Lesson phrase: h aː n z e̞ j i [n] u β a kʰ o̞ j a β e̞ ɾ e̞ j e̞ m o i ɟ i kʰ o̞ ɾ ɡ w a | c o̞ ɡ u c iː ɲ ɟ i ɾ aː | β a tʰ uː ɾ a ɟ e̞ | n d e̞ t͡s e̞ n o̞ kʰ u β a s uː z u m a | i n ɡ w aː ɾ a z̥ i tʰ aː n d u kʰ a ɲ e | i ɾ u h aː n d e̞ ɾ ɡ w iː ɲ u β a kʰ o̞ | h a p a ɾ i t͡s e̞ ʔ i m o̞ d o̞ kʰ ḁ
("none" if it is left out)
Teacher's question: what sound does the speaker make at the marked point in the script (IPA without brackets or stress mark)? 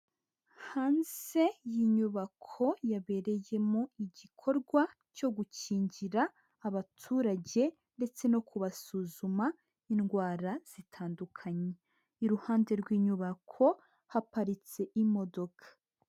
ɲ